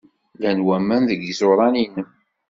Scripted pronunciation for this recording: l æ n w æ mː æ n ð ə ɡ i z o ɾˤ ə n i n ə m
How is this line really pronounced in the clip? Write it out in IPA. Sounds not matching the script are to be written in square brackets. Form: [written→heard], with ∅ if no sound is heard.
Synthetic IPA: l æ n w æ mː æ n ð ə ɡ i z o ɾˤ [ə→ɑ] n i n ə m